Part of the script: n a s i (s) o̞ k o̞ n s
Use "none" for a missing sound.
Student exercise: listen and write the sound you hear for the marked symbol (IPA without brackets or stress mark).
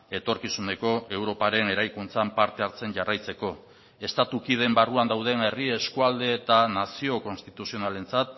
none